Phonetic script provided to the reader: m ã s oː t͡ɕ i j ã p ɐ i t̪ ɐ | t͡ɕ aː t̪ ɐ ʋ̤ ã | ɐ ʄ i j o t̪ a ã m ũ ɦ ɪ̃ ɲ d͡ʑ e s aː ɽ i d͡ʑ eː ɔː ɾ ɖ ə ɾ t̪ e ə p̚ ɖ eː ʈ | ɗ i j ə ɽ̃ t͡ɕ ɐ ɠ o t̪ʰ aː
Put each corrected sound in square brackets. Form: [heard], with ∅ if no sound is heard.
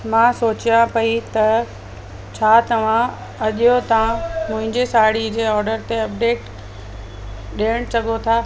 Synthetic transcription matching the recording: m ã s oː t͡ɕ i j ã p ɐ i t̪ ɐ | [t͡ɕʰ] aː t̪ ɐ ʋ̤ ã | ɐ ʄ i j o t̪ a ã m [ʊ̃] ɦ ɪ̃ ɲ d͡ʑ e s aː ɽ i d͡ʑ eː ɔː ɾ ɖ ə ɾ t̪ e [ɐ] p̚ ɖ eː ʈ | ɗ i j ə ɽ̃ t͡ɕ ɐ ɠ o t̪ʰ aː